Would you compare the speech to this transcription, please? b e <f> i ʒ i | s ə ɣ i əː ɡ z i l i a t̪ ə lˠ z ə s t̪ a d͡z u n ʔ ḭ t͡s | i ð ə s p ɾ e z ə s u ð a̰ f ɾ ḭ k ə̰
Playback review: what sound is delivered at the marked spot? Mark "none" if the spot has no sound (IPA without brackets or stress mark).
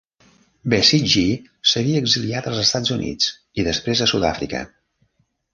s